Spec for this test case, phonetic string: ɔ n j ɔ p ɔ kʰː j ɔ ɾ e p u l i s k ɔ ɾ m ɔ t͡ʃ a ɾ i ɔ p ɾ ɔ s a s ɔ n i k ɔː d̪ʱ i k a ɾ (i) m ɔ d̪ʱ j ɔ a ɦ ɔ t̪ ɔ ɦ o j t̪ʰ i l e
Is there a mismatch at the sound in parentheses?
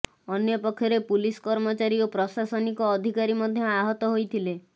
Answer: no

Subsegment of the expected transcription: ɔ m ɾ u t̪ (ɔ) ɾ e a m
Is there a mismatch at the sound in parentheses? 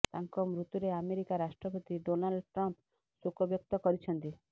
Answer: yes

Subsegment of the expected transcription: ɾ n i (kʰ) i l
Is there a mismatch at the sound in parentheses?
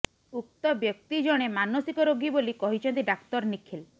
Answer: no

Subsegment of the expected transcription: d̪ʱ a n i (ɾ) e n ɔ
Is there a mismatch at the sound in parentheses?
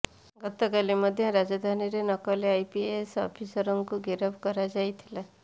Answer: no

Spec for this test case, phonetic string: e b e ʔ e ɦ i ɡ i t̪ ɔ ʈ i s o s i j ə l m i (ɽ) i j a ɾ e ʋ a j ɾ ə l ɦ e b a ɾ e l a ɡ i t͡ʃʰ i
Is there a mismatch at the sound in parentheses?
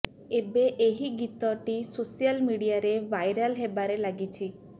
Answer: no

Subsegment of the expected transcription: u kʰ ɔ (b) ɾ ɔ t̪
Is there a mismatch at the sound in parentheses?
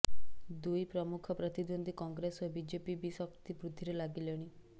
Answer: yes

